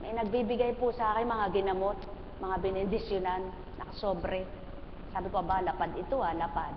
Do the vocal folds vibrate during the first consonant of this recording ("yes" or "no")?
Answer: yes